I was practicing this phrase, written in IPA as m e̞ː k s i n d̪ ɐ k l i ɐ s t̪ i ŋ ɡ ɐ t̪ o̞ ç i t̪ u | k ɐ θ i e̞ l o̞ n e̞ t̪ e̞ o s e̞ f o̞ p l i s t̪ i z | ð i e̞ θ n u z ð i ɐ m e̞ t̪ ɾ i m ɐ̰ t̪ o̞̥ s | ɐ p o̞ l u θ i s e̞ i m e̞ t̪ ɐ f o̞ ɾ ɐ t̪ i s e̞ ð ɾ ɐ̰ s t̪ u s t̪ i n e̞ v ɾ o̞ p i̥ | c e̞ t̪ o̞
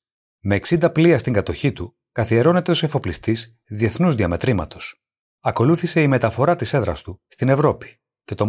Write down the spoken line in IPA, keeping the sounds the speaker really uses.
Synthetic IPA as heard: m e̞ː k s i n d̪ ɐ p l i ɐ s t̪ i ŋ ɡ ɐ t̪ o̞ ç i t̪ u | k ɐ θ i e̞ ɾ o̞ n e̞ t̪ e̞ o s e̞ f o̞ p l i s t̪ i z | ð i e̞ θ n u z ð i ɐ m e̞ t̪ ɾ i m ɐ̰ t̪ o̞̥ s | ɐ k o̞ l u θ i s e̞ i m e̞ t̪ ɐ f o̞ ɾ ɐ t̪ i s e̞ ð ɾ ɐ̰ s t̪ u s t̪ i n e̞ v ɾ o̞ p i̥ | c e̞ t̪ o̞